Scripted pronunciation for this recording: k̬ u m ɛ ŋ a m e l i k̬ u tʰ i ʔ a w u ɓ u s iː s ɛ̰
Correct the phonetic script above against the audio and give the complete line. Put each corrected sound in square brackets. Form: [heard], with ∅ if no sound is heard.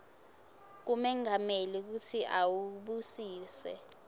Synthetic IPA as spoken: k̬ u m ɛ ŋ a m e l i k̬ u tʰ i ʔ a w u ɓ u s iː s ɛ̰